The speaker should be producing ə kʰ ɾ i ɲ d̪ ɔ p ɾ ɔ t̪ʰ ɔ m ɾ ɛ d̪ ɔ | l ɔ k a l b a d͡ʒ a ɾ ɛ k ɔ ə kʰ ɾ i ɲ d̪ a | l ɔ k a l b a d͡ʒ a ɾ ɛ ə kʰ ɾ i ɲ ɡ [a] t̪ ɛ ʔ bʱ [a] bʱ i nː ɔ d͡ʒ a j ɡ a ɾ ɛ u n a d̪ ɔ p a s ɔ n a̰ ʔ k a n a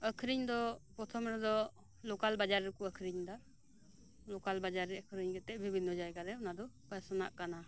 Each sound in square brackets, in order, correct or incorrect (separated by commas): incorrect, incorrect